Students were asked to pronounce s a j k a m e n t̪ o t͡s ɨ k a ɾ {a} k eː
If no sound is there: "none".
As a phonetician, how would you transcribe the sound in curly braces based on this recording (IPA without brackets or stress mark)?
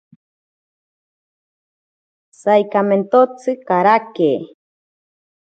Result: a